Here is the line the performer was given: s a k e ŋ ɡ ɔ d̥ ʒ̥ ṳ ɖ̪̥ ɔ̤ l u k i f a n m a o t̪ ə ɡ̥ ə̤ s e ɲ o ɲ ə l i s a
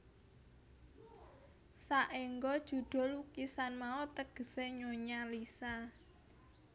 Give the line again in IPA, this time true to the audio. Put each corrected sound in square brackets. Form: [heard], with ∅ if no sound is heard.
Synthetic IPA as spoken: s a [ʔ] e ŋ ɡ ɔ d̥ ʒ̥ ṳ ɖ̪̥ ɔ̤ l u k i [s] a n m a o t̪ ə ɡ̥ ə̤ s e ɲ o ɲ [a] l i s a